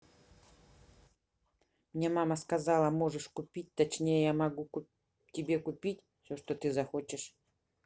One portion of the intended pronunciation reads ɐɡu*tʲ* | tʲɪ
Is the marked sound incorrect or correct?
incorrect: none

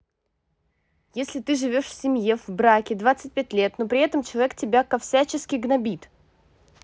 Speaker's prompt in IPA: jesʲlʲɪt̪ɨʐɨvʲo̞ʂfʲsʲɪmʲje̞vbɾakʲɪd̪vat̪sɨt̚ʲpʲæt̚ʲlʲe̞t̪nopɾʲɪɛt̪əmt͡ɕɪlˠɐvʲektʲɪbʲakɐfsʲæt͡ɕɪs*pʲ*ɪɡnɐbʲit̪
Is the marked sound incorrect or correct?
incorrect: kʲ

